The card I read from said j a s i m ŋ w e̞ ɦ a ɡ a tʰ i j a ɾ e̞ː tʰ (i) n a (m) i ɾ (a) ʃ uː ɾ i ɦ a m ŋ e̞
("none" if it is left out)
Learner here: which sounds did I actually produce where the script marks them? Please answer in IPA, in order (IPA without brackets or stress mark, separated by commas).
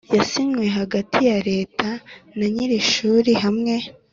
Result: a, ɲ, i